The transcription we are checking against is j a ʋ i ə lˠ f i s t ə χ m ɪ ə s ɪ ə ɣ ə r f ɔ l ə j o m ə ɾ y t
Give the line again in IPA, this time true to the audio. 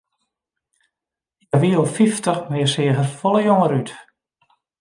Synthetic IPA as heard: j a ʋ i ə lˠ f i f t ə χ m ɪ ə s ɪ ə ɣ ə r f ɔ l ə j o ŋ ə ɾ y t